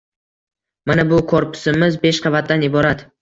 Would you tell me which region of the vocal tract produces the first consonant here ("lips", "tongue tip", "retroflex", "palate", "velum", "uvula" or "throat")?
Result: lips